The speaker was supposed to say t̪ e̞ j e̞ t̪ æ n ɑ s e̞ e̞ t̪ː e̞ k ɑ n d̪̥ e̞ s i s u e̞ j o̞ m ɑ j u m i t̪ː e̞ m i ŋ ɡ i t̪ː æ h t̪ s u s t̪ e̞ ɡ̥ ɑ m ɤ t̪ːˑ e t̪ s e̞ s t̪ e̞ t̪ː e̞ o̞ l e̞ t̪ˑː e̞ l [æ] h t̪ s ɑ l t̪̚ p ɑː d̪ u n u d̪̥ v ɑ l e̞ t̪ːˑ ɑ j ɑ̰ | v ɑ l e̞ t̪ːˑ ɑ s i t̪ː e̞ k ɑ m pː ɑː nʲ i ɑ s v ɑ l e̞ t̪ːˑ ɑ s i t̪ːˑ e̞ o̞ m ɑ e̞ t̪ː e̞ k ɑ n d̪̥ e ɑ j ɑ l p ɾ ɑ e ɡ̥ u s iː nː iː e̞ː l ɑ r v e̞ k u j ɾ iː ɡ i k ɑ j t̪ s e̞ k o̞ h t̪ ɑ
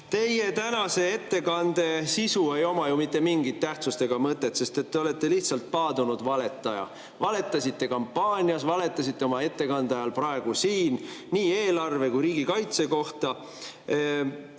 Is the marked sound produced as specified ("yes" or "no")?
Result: no